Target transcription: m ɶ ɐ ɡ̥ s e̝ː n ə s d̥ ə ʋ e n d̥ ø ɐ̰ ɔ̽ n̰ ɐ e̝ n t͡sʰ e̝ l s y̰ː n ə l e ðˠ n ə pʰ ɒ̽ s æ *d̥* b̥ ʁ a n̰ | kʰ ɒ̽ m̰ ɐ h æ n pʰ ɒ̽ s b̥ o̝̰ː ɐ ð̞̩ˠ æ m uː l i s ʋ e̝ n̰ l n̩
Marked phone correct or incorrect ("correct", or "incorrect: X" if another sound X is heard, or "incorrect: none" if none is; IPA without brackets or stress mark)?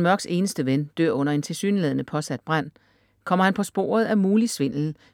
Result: correct